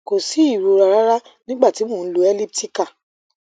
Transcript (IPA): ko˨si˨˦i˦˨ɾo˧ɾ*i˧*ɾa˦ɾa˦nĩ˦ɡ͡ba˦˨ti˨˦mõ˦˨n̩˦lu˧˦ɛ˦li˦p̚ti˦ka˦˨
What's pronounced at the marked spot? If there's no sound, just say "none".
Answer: a˧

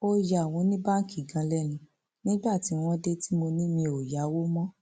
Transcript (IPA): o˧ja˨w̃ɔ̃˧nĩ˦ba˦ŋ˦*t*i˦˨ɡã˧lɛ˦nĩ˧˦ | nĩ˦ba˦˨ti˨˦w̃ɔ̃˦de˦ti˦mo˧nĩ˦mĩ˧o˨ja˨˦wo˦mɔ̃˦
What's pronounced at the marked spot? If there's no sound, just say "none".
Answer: k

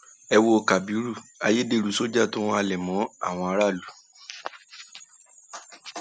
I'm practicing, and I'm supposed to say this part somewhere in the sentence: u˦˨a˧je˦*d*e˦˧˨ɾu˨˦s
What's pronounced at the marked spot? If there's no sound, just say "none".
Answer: d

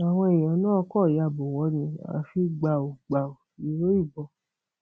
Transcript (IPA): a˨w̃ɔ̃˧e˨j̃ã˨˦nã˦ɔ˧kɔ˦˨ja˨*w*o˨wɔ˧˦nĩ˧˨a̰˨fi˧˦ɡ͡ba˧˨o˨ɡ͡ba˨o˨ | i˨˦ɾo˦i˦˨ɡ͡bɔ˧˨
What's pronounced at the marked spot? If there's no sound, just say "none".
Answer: b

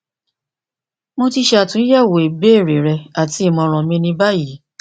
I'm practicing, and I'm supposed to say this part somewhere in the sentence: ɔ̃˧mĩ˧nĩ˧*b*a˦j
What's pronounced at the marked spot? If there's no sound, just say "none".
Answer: b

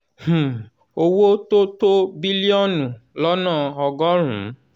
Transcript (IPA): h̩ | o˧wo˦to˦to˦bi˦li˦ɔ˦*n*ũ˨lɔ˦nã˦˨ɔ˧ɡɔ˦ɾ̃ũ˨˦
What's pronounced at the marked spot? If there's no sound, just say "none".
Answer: n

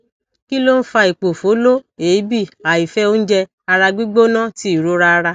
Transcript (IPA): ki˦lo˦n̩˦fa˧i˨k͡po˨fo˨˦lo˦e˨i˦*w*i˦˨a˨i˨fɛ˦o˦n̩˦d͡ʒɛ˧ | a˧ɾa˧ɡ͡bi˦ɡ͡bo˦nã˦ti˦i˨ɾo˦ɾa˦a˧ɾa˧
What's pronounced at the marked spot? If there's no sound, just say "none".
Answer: b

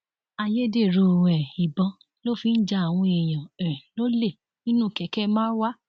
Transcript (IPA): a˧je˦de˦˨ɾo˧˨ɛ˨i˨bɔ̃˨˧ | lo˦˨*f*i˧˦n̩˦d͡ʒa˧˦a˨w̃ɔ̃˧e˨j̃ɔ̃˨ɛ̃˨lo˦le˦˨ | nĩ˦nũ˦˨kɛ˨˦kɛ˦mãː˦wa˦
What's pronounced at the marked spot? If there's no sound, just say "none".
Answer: f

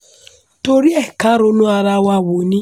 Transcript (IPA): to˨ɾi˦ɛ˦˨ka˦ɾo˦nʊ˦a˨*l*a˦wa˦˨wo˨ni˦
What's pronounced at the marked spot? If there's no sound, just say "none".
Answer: ɾ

